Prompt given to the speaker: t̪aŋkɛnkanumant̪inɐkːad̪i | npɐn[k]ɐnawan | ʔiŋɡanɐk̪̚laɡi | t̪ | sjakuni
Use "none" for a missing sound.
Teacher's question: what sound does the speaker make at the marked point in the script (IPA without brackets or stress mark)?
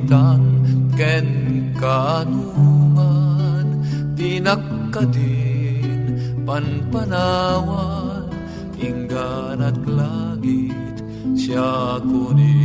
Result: p